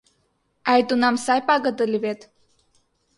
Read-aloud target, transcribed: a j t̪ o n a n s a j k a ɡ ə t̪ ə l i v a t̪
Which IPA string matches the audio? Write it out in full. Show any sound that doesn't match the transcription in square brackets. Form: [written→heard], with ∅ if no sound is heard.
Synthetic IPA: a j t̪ [o→u] n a [n→m] s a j [k→p] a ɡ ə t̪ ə l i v [a→e] t̪